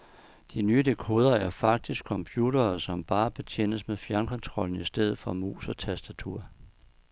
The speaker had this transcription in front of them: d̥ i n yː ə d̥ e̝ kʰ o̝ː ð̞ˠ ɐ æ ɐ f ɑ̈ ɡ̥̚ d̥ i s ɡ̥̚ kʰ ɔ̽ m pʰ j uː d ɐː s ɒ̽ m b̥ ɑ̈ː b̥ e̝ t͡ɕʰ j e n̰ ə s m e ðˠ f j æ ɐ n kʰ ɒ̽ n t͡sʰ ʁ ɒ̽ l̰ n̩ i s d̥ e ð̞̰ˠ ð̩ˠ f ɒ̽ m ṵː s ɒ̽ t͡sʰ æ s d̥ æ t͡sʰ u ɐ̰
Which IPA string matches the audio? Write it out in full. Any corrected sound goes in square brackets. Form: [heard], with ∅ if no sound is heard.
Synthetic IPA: d̥ i n yː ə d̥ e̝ kʰ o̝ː ð̞ˠ ɐ æ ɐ f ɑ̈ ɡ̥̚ d̥ i s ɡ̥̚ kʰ [ɒ̽] m pʰ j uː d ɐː s ɒ̽ m b̥ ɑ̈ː b̥ e̝ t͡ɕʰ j e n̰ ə s m e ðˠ f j æ ɐ n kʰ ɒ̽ n t͡sʰ ʁ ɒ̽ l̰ n̩ i s d̥ e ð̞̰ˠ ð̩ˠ f ɒ̽ m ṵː s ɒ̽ t͡sʰ æ s d̥ æ t͡sʰ u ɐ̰